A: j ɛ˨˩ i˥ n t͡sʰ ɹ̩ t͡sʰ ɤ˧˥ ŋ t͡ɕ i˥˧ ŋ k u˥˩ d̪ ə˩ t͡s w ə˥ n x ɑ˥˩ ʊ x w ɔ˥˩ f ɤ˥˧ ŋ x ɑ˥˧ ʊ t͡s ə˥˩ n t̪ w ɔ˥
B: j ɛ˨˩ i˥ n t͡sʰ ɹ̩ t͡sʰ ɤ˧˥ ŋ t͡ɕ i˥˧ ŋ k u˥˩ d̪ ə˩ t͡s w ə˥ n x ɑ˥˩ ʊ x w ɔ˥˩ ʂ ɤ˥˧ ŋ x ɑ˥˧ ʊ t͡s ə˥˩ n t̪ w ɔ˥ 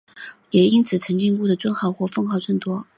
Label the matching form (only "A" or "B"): A